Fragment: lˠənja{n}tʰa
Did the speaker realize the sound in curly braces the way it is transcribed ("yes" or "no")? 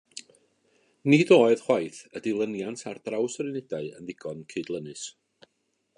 yes